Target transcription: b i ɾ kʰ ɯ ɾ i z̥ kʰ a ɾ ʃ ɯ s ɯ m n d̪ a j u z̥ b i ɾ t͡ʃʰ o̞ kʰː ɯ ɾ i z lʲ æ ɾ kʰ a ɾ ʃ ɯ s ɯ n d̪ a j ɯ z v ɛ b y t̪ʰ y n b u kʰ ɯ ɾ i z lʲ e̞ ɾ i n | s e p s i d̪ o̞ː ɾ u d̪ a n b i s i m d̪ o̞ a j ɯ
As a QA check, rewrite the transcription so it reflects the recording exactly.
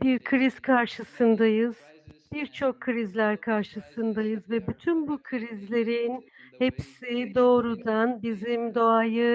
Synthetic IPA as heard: b i ɾ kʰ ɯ ɾ i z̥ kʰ a ɾ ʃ ɯ s ɯ n d̪ a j ɯ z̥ b i ɾ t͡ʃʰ o̞ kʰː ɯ ɾ i z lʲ æ ɾ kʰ a ɾ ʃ ɯ s ɯ n d̪ a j ɯ z v ɛ b y t̪ʰ y n b u kʰ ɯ ɾ i z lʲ e̞ ɾ i n | h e p s i d̪ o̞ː ɾ u d̪ a n b i z i m d̪ o̞ a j ɯ